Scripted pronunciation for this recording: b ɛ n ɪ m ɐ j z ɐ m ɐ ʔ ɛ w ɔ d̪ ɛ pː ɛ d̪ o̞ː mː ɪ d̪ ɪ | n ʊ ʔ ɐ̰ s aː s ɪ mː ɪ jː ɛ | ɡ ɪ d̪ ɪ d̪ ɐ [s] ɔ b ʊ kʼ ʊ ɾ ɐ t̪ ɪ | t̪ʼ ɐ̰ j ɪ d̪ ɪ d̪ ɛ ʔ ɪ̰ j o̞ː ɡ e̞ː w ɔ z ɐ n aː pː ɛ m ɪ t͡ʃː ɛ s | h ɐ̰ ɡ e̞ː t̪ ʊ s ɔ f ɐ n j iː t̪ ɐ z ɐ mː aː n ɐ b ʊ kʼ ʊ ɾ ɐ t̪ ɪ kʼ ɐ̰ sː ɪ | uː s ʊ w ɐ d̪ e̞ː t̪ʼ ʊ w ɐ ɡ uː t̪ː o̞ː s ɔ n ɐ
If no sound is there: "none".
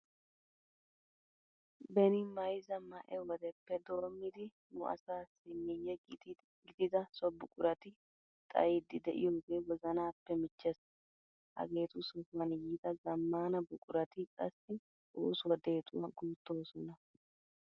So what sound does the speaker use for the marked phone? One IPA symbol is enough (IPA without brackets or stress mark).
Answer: s